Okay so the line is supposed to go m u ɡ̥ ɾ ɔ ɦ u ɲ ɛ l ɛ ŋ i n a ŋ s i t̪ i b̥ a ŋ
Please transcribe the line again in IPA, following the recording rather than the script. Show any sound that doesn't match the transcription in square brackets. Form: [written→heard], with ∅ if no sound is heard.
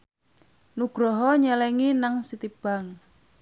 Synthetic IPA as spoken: [m→n] u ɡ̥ ɾ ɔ ɦ [u→ɔ] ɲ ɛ l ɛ ŋ i n a ŋ s i t̪ i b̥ a ŋ